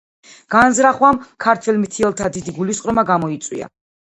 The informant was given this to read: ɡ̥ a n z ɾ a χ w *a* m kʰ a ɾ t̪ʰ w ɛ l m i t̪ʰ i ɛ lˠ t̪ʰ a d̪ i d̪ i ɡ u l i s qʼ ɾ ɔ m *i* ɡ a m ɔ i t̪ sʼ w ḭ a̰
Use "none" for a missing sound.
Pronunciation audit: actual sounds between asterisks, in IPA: a, a

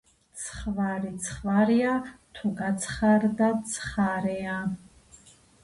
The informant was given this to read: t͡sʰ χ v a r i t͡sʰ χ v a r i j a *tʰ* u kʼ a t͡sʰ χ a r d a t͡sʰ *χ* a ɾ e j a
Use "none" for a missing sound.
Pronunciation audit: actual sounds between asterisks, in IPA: tʰ, χ

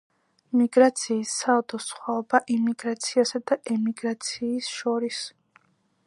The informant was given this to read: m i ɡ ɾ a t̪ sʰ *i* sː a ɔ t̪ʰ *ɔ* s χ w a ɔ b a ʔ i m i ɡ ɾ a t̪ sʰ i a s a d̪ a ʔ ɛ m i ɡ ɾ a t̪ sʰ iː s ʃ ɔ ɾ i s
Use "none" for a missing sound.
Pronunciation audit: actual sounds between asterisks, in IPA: iː, ɔ

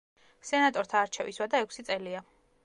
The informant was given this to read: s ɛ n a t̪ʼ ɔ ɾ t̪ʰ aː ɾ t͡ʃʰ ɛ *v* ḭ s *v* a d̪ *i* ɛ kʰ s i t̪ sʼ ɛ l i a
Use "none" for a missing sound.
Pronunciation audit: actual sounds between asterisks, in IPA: v, w, a

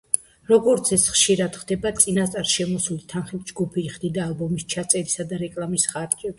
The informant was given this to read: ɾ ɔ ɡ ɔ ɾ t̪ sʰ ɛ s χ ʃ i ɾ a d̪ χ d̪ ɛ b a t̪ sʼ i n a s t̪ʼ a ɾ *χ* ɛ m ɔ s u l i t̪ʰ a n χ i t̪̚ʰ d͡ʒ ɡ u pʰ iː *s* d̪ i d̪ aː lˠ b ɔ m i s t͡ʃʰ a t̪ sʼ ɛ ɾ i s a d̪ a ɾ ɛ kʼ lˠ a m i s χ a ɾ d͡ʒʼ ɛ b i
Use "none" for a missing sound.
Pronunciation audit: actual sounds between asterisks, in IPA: ʃ, χ

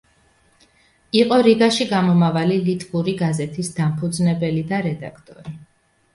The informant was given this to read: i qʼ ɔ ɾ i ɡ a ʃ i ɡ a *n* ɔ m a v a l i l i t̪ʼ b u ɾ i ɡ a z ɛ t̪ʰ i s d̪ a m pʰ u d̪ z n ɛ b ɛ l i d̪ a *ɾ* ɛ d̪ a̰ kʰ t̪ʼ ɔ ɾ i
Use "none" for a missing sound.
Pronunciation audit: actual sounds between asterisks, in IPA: m, ɾ

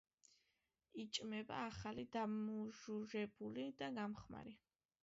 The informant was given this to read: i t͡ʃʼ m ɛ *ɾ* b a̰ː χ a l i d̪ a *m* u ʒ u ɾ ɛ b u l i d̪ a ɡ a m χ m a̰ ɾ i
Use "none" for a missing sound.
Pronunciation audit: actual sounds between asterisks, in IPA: none, m

